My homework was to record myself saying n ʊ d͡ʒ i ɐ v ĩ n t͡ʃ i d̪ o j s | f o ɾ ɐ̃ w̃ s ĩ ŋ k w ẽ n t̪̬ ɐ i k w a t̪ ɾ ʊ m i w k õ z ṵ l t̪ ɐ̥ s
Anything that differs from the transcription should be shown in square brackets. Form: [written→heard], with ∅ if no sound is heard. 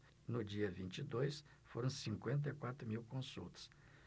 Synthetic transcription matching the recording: n ʊ d͡ʒ i ɐ v ĩ n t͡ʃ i d̪ o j s | f o ɾ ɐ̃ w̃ s ĩ ŋ k w ẽ n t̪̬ ɐ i k w a t̪ ɾ ʊ m i w k õ [z→s] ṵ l t̪ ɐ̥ s